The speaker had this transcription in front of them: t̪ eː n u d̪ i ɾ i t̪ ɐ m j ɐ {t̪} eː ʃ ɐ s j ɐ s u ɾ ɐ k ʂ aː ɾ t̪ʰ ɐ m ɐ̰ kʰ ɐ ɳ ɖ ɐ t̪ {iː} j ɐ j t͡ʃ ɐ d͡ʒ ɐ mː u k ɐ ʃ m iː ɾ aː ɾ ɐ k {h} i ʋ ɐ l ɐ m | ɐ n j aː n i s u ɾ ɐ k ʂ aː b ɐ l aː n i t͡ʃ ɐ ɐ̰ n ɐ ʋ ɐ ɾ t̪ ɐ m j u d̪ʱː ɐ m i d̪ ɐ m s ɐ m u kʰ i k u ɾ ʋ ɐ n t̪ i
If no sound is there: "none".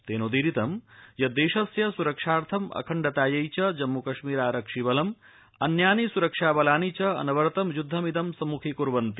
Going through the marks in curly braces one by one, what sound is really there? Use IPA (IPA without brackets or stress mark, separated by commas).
d̪, aː, ʂ